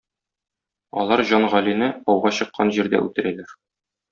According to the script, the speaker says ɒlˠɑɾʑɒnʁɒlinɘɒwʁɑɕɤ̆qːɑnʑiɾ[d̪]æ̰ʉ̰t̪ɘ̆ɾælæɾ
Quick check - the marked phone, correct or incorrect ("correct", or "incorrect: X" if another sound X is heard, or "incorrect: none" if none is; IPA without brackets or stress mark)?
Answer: correct